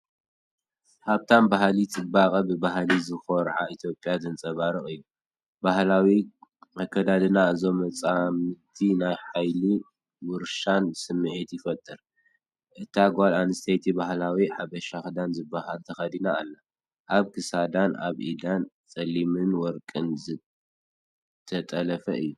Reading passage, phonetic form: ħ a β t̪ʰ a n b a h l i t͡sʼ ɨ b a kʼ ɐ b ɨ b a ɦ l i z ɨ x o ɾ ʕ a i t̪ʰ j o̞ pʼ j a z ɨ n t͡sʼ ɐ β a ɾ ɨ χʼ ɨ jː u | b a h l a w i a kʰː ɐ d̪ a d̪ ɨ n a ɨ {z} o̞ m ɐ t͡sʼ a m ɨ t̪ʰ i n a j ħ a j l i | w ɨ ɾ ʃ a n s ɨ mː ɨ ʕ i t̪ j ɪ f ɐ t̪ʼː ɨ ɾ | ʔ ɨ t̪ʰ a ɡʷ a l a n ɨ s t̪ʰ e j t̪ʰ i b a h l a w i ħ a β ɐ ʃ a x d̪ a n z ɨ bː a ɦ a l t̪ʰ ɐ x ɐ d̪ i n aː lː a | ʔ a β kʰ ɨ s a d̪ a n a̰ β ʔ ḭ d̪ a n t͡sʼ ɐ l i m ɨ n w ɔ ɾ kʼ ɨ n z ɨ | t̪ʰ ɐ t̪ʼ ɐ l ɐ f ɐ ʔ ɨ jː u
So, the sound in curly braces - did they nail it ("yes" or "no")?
yes